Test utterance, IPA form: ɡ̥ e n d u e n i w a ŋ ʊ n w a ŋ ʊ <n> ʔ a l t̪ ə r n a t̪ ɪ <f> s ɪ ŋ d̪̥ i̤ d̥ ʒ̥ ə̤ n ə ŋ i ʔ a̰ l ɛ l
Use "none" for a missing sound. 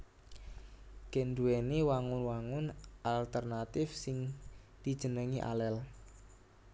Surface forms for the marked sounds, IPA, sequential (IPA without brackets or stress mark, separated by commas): n, f